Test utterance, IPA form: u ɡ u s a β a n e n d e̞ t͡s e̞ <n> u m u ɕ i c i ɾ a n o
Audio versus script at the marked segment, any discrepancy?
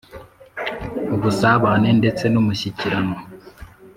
no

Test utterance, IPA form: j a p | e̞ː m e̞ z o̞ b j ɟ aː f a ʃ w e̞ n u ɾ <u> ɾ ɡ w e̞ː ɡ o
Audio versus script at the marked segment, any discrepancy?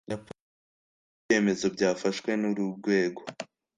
no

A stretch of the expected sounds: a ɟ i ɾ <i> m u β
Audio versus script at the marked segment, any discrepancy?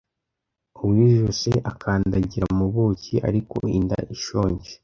yes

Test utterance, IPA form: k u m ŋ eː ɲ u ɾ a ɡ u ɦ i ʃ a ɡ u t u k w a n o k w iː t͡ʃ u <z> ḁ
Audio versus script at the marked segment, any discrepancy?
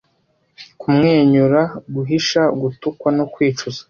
no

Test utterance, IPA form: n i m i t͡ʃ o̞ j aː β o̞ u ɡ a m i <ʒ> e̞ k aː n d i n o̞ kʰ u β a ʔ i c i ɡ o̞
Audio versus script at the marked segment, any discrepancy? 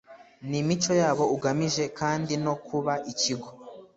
no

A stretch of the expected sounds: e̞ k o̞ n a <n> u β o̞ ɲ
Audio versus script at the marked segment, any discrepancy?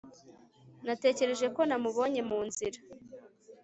yes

